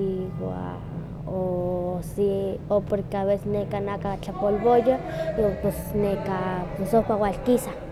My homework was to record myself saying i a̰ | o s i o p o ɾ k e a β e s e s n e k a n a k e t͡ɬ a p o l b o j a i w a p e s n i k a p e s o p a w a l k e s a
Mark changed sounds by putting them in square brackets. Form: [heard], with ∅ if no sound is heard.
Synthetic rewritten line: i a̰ | o s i o p o ɾ k e a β e s e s n e k a n a k [a] t͡ɬ a p o l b o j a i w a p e s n [e] k a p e s o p a w a l k [i] s a